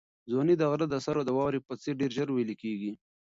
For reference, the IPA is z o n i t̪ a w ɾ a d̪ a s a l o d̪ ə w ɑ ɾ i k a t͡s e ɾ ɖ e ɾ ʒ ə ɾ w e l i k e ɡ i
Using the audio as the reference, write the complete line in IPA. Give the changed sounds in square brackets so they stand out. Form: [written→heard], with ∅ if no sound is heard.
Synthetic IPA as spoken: z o n i [t̪→d̪] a [w→ɣ] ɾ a d̪ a s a [l→ɾ] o d̪ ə w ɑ ɾ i [k→p] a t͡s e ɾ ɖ e ɾ ʒ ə ɾ w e l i k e ɡ i